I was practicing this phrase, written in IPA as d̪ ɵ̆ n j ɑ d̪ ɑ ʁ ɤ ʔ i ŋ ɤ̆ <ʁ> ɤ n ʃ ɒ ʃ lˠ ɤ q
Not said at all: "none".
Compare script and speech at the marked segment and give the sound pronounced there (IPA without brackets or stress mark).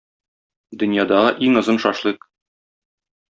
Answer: z